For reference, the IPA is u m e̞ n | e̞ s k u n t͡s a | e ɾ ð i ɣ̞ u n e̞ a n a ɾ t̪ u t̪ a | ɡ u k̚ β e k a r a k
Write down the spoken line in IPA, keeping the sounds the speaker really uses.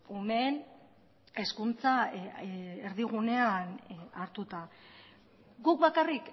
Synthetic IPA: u m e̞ n | e̞ s k u n t͡s a | e ɾ ð i ɣ̞ u n e̞ a n a ɾ t̪ u t̪ a | ɡ u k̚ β a k a r i k